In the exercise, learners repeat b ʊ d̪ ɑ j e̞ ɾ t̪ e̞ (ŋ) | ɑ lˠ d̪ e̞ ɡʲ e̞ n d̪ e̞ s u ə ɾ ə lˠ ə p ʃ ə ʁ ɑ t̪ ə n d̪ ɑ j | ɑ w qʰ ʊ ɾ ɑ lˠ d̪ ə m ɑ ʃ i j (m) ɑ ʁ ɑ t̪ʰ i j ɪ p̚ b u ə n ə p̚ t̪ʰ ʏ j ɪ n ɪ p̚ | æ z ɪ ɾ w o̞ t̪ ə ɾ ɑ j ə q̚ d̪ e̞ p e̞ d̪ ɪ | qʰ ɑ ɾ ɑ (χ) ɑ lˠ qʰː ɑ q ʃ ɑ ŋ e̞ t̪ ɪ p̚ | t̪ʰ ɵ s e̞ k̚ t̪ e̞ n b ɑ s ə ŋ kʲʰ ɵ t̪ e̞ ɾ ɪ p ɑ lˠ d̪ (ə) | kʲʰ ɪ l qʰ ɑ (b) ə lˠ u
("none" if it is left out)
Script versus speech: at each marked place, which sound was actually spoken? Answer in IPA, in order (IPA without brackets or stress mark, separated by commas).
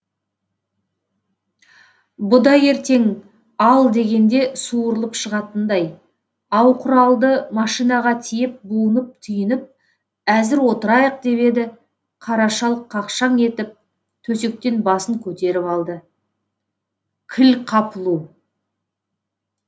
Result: ŋ, n, ʃ, ə, p